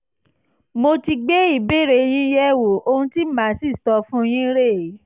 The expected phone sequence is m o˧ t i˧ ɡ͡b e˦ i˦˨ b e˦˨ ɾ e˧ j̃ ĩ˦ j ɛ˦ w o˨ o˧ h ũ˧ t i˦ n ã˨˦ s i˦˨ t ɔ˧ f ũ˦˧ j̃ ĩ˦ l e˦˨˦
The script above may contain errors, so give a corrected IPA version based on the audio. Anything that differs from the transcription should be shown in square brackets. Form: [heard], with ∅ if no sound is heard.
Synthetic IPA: m o˧ t i˧ ɡ͡b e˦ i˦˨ b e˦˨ ɾ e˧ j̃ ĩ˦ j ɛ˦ w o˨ o˧ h ũ˧ t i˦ [m] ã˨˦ s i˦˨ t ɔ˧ f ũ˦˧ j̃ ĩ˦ [ɾ] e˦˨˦